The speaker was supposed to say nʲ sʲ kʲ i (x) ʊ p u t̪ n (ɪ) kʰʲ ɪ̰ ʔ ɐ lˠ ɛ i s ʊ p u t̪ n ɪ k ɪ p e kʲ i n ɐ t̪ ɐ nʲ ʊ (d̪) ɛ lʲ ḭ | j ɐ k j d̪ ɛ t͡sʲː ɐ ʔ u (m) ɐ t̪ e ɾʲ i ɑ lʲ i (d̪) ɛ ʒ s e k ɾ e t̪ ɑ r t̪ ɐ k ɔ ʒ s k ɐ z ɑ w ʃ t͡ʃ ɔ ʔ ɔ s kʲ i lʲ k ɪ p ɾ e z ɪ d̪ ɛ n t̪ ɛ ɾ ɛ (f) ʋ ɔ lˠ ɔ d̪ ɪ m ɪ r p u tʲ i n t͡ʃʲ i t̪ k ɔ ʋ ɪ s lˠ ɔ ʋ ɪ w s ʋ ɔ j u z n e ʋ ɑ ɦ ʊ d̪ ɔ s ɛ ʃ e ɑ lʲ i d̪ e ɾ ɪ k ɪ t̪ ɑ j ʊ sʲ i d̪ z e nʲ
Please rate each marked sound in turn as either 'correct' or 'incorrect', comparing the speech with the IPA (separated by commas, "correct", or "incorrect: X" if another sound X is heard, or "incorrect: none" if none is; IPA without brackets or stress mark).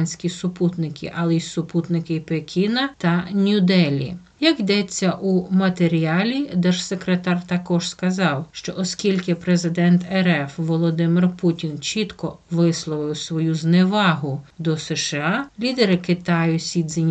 incorrect: s, correct, correct, correct, correct, correct